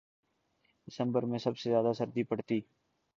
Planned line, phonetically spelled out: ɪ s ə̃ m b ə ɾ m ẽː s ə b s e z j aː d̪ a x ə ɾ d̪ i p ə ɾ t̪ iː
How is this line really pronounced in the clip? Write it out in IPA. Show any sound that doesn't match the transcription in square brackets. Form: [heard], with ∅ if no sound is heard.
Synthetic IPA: ɪ s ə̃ m b ə ɾ m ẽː s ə b s e z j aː d̪ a [s] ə ɾ d̪ i p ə [ɽ] t̪ iː